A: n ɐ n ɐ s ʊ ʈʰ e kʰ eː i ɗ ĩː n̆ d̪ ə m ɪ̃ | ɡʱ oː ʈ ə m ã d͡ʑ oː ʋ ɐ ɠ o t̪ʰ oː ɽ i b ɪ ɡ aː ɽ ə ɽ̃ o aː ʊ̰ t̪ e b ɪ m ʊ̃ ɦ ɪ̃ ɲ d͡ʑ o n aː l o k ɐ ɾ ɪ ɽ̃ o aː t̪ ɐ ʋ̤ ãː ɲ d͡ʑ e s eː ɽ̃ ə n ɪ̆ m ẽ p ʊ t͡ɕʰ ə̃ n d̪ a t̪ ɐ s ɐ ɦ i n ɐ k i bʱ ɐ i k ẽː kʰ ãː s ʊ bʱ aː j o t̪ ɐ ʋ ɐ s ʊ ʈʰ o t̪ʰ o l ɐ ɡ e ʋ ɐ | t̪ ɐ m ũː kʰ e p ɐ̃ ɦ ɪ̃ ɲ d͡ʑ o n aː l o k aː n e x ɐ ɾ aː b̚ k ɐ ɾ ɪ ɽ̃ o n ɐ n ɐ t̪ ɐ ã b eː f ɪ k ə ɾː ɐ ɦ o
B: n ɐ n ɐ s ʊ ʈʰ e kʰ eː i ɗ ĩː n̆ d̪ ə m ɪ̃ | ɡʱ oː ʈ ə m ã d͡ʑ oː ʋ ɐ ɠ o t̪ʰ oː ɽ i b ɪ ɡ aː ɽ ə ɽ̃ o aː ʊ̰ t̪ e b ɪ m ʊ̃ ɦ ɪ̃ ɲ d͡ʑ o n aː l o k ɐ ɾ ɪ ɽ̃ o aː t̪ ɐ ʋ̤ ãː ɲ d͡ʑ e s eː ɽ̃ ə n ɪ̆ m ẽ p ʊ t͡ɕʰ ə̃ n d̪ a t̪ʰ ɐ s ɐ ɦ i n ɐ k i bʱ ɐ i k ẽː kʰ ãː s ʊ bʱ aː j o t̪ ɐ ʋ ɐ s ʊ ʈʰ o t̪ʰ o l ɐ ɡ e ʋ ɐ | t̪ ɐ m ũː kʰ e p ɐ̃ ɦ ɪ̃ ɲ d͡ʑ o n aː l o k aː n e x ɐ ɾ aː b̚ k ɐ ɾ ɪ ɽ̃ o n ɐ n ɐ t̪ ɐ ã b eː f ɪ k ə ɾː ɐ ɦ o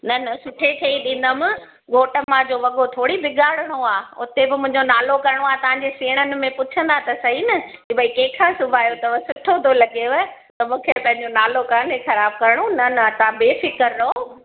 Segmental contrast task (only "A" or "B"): A